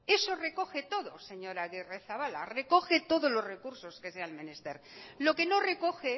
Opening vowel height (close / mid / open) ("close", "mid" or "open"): mid